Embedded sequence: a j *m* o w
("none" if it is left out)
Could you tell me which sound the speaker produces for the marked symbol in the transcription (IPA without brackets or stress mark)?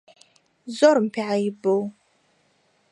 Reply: b